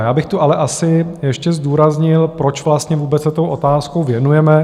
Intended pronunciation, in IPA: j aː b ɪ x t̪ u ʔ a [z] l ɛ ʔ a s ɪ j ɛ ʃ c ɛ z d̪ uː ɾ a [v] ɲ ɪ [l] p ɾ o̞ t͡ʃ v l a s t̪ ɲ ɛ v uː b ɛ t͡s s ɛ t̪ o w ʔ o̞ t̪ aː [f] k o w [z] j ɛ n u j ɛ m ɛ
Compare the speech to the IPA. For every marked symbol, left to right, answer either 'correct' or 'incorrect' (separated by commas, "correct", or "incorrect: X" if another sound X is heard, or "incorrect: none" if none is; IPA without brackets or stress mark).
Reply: incorrect: none, incorrect: z, correct, incorrect: s, incorrect: v